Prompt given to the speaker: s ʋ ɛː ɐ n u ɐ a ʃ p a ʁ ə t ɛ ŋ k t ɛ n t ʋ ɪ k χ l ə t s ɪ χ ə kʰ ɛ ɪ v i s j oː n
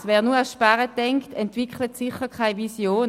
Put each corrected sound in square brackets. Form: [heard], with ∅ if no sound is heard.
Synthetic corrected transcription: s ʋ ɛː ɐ n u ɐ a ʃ p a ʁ ə t ɛ ŋ k t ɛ n t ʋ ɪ k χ l ə t s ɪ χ ə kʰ [a] ɪ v i s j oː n